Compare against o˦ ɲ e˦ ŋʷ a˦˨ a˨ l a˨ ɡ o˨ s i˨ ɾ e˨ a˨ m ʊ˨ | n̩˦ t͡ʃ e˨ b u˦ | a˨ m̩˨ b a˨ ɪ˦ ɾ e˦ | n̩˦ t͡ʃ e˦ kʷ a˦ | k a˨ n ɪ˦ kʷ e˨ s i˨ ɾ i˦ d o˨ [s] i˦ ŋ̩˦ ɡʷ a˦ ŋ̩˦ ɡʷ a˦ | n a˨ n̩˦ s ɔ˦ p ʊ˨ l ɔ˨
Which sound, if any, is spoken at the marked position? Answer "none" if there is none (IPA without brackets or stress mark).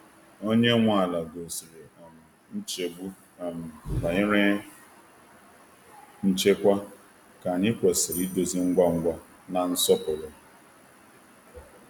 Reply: z